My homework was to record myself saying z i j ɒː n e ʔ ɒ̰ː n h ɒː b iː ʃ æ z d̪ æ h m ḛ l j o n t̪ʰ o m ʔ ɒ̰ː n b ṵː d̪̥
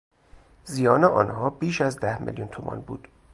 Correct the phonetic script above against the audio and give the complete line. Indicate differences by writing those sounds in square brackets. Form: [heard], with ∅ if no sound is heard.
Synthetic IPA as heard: z i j ɒː n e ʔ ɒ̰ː n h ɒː b iː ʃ æ z d̪ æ h m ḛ l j [u] n t̪ʰ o m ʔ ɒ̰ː n b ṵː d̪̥